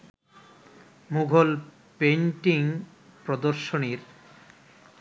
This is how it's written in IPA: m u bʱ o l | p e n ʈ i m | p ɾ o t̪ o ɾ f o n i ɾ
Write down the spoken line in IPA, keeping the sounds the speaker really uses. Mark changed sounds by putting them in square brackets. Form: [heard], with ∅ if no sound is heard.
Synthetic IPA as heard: m u [ɡʱ] o l | p e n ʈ i [ŋ] | p ɾ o [d̪] o ɾ [ʃ] o n i ɾ